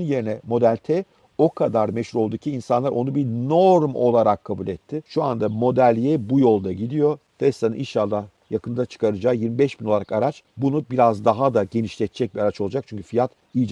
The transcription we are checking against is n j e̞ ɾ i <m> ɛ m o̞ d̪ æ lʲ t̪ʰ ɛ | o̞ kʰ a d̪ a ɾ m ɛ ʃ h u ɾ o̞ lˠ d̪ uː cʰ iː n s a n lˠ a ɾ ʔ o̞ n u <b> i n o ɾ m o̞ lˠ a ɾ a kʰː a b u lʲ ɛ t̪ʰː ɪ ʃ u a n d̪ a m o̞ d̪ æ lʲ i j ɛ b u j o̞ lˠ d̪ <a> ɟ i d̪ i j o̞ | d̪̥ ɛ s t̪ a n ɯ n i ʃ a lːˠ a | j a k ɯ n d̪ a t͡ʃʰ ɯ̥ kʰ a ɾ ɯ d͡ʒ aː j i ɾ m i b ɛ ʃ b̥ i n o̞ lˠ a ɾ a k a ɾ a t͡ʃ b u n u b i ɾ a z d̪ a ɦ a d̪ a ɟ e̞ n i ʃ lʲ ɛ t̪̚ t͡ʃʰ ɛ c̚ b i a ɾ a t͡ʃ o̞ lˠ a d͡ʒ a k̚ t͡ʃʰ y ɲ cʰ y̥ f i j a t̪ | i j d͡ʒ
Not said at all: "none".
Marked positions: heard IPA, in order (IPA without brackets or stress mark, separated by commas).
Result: n, b, a